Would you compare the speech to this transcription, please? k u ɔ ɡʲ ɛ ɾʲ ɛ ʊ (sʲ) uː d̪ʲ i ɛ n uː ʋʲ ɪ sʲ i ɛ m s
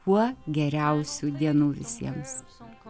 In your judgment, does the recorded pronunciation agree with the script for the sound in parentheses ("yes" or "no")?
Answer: yes